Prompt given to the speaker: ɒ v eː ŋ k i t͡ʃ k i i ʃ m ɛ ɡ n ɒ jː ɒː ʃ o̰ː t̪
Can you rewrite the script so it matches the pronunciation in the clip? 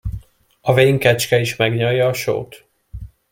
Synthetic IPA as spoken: ɒ v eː ŋ k ɛ t͡ʃ k ɛ i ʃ m ɛ ɡ ɲ ɒ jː ɒː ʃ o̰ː t̪